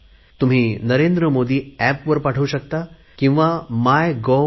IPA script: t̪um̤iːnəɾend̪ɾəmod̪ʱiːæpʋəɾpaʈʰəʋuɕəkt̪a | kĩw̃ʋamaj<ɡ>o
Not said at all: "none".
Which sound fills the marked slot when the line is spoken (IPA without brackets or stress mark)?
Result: ɡ